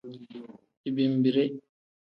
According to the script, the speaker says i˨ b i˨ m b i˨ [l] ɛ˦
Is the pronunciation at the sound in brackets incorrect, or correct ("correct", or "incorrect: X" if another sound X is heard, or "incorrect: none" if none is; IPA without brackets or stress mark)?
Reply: incorrect: ɾ